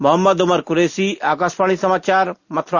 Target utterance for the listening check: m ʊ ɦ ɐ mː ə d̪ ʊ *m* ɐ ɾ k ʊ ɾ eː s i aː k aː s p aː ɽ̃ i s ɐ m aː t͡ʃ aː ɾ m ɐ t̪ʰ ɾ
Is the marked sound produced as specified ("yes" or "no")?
yes